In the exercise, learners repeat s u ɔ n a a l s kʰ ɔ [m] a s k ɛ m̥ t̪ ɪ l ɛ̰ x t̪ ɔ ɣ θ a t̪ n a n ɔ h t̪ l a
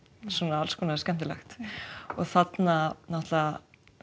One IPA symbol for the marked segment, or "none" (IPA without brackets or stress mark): n